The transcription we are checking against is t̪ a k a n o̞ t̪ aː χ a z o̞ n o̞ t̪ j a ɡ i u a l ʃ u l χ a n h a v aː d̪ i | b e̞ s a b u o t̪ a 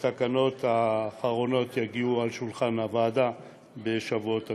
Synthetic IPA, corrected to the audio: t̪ a k a n o̞ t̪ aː χ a ʁ o̞ n o̞ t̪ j a ɡ i u a l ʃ u l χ a n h a v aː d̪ a | b e̞ ʃ a v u o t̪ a